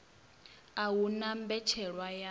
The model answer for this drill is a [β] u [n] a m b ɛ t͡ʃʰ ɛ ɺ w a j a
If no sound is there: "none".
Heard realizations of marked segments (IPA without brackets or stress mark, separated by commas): w, n